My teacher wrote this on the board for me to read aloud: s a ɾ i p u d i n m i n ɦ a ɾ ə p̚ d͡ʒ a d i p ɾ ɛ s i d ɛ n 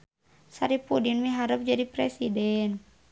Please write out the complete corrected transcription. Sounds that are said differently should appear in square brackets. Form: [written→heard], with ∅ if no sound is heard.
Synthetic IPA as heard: s a ɾ i p u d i n m i [n→∅] ɦ a ɾ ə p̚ d͡ʒ a d i p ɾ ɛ s i d ɛ n